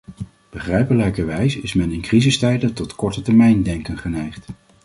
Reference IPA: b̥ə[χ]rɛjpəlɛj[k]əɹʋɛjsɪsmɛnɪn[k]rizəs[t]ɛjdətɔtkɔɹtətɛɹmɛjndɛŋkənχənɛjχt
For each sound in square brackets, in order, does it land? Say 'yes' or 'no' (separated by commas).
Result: yes, yes, yes, yes